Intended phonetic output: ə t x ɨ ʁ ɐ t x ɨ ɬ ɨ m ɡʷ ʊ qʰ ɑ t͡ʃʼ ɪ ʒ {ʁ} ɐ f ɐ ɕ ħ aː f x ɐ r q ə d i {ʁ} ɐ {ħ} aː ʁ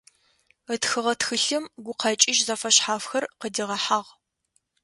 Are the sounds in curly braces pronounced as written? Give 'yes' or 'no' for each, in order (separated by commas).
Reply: no, yes, yes